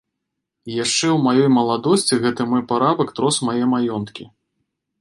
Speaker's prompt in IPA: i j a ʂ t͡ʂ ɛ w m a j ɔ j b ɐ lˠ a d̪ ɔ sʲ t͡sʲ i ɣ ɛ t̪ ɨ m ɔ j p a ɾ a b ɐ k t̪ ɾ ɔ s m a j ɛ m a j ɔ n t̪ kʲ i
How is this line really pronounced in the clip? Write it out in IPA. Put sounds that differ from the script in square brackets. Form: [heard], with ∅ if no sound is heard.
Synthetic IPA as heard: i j a ʂ t͡ʂ ɛ w m a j ɔ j [m] ɐ lˠ a d̪ ɔ sʲ t͡sʲ i ɣ ɛ t̪ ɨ m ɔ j p a ɾ a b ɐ k t̪ ɾ ɔ s m a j ɛ m a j ɔ n t̪ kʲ i